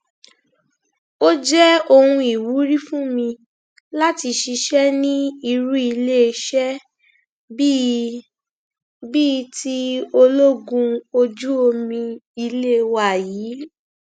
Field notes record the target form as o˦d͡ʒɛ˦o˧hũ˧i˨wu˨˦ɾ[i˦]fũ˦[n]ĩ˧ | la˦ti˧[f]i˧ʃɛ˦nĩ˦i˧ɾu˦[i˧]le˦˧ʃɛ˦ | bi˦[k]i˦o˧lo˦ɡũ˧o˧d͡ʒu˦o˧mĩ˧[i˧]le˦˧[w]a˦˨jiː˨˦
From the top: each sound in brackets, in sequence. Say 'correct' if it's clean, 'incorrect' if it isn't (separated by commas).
correct, incorrect, incorrect, correct, incorrect, correct, correct